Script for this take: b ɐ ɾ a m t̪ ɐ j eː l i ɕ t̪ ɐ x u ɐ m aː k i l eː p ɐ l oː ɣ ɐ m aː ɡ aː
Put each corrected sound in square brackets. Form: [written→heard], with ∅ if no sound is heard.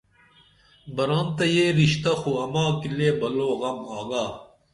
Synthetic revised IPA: b ɐ ɾ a [m→n] t̪ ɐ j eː [l→ɾ] i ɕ t̪ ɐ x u ɐ m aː k i l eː [p→b] ɐ l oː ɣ ɐ m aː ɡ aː